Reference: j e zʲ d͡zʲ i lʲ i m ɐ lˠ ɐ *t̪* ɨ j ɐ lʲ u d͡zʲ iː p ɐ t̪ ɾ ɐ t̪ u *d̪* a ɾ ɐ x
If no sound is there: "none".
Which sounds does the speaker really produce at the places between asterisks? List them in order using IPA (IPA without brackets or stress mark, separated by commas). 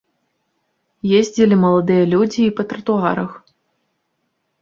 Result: d̪, none